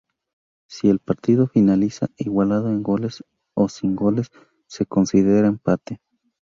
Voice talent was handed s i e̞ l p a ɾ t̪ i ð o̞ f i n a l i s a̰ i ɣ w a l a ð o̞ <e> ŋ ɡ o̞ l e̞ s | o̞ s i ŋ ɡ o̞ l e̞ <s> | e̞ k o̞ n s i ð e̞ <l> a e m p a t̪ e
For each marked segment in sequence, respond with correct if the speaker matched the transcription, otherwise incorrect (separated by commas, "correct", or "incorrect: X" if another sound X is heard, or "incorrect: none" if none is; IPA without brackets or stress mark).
correct, incorrect: sː, incorrect: ɾ